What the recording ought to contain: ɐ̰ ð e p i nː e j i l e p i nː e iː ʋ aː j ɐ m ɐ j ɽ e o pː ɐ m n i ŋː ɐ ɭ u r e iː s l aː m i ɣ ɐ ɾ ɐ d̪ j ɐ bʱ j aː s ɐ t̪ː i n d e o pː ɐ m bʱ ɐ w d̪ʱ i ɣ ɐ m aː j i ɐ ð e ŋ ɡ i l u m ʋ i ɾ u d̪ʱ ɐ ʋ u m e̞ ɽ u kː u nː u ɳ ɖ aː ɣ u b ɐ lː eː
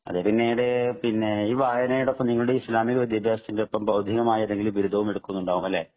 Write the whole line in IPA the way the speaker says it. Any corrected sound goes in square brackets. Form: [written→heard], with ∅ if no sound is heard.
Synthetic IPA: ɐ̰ ð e p i nː e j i [l→ɽ] e p i nː e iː ʋ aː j ɐ [m→n] ɐ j ɽ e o pː ɐ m n i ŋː ɐ ɭ u [r→ɽ] e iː s l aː m i ɣ ɐ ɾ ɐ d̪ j ɐ bʱ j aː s ɐ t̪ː i n d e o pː ɐ m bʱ ɐ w d̪ʱ i ɣ ɐ m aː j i ɐ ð e ŋ ɡ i l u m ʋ i ɾ u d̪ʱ ɐ ʋ u m e̞ ɽ u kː u nː u ɳ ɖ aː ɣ u [b→m] ɐ lː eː